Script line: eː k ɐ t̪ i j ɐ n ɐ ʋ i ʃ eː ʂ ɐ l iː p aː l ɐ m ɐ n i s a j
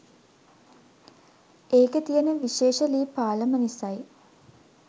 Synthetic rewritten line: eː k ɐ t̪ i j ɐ n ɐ ʋ i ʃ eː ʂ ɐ l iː p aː l ɐ m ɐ n i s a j